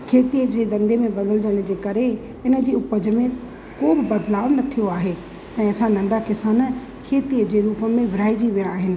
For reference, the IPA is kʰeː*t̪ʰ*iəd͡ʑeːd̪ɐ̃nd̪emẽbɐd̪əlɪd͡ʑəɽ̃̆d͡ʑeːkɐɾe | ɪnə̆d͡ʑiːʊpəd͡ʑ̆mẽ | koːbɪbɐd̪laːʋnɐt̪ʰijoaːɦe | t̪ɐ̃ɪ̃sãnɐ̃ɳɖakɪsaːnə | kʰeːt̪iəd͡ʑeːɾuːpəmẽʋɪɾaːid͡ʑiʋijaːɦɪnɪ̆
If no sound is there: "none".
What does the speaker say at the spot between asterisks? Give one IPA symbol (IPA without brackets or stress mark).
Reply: t̪